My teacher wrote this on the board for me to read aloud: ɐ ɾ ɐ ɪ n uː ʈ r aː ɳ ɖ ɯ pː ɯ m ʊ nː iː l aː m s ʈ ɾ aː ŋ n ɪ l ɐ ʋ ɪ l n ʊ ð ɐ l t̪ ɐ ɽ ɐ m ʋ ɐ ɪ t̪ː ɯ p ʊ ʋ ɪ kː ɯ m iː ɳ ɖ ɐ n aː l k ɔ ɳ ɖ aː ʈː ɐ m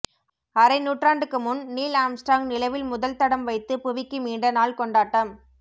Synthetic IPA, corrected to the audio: ɐ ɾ ɐ ɪ n uː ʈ r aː ɳ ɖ ɯ kː ɯ m ʊ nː iː l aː m s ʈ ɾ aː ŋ n ɪ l ɐ ʋ ɪ l m ʊ ð ɐ l t̪ ɐ ɽ ɐ m ʋ ɐ ɪ t̪ː ɯ p ʊ ʋ ɪ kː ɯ m iː ɳ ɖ ɐ n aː l k ɔ ɳ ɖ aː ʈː ɐ m